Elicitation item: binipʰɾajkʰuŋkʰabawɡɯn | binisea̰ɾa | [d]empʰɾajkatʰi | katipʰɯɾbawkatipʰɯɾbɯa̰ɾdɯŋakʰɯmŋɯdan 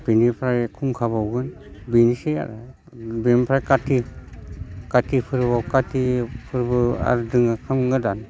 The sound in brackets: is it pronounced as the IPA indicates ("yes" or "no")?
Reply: no